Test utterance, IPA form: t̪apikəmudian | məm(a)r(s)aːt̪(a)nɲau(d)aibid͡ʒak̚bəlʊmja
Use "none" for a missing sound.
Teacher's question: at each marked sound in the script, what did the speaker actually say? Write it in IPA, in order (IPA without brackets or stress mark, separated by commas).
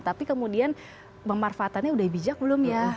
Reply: a, f, a, d